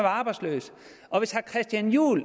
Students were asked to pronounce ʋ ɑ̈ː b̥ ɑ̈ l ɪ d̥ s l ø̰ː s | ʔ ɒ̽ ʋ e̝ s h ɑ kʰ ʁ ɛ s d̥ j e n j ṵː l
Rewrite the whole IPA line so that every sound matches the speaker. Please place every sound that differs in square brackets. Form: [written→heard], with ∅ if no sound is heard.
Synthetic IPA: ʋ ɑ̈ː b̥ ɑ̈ [l→∅] ɪ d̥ s l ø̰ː s | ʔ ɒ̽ ʋ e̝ s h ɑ kʰ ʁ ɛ s d̥ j [e→æ] n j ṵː l